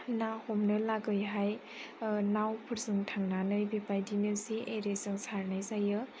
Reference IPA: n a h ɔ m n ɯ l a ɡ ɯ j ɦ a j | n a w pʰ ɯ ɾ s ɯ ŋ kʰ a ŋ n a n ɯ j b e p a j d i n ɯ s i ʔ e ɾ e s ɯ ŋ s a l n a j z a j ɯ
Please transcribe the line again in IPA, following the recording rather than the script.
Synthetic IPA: n a h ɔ m n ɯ l a ɡ ɯ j ɦ a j | n a w pʰ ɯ ɾ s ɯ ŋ tʰ a ŋ n a n ɯ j b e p a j d i n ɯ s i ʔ e ɾ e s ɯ ŋ s a ɾ n a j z a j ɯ

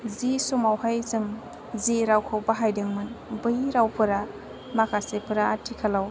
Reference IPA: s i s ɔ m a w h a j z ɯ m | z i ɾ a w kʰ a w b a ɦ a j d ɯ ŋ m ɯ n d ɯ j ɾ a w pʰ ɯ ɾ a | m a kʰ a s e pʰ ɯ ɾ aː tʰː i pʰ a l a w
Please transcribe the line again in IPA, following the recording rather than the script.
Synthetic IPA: z i s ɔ m a w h a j z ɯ m | z i ɾ a w kʰ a w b a ɦ a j d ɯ ŋ m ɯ n b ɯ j ɾ a w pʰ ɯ ɾ a | m a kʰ a s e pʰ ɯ ɾ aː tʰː i kʰ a l a w

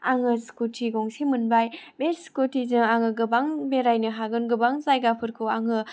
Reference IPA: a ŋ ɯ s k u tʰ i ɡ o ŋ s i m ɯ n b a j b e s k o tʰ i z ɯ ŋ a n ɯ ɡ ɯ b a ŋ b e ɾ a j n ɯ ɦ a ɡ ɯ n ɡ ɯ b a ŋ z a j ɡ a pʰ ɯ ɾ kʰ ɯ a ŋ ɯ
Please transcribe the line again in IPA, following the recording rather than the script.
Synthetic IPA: a ŋ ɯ s k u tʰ i ɡ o ŋ s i m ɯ n b a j b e s k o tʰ i z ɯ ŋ a ŋ ɯ ɡ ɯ b a ŋ b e ɾ a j n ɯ ɦ a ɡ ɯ n ɡ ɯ b a ŋ z a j ɡ a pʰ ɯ ɾ kʰ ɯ a ŋ ɯ

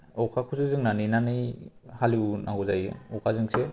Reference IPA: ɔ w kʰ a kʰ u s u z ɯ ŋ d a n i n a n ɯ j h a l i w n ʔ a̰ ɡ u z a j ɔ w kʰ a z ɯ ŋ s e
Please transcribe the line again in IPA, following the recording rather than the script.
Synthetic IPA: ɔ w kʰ a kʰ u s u z ɯ ŋ n a n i n a n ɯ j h a l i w n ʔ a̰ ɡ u z a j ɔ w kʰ a z ɯ ŋ s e

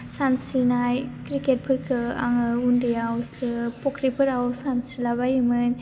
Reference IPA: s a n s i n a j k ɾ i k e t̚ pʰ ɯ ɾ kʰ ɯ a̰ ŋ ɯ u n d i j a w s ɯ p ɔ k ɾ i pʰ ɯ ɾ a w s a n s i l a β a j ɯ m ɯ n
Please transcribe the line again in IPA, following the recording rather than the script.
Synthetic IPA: s a n s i n a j k ɾ i k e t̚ pʰ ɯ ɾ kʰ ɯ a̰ ŋ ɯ u n d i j a w s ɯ p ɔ k ɾ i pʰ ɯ ɾ a w s a n s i l a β a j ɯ m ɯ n

